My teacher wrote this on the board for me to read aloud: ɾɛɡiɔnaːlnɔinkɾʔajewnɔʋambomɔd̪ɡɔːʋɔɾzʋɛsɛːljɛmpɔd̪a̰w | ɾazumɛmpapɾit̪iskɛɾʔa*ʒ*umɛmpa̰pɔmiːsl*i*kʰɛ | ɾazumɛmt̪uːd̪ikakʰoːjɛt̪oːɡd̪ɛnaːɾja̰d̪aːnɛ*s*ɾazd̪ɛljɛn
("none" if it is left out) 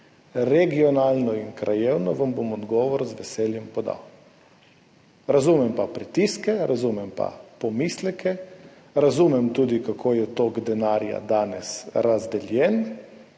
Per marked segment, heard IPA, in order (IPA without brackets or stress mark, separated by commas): z, ɛ, s